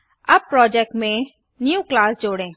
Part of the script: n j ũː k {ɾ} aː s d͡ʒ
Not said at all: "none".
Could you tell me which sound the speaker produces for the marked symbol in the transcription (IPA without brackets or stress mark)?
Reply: l